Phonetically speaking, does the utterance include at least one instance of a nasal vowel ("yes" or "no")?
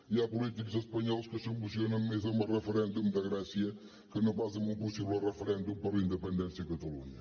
yes